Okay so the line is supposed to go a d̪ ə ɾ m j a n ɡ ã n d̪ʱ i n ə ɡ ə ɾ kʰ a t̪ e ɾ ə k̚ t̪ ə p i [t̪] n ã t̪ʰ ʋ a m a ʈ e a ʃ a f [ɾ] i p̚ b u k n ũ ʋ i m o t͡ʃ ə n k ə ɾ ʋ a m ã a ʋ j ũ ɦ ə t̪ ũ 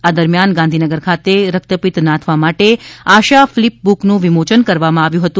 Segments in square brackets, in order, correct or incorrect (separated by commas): correct, incorrect